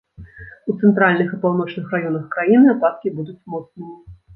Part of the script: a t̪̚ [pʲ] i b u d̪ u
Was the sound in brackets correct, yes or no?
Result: no